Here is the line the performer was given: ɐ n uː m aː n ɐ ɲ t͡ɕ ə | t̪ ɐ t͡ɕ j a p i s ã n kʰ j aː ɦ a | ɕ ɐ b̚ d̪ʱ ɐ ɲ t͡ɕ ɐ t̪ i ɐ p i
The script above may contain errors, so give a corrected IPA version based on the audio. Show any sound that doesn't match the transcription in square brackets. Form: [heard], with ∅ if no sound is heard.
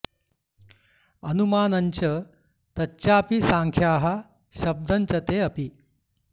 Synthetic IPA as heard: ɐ n [u] m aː n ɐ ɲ t͡ɕ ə | t̪ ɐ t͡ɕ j a p i s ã [ŋ] kʰ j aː ɦ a | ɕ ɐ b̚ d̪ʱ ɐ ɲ t͡ɕ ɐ t̪ [e] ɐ p i